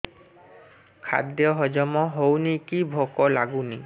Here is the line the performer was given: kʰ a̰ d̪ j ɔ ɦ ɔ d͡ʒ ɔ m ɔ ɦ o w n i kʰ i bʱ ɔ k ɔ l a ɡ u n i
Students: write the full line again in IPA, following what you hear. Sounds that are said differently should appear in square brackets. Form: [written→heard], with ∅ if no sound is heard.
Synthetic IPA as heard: kʰ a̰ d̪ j ɔ ɦ ɔ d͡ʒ ɔ m ɔ ɦ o w n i [kʰ→k] i bʱ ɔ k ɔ l a ɡ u n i